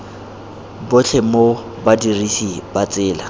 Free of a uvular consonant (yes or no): yes